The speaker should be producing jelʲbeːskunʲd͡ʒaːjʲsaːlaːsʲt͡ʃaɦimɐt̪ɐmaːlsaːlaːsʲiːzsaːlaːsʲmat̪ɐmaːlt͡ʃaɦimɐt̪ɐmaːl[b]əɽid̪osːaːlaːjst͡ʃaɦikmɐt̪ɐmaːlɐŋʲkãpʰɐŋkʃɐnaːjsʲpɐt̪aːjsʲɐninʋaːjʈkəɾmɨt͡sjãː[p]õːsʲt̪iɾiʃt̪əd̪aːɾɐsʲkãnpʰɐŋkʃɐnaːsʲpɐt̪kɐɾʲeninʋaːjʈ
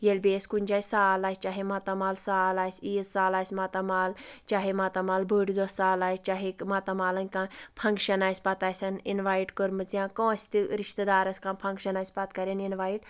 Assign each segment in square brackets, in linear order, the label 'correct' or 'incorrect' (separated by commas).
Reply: correct, incorrect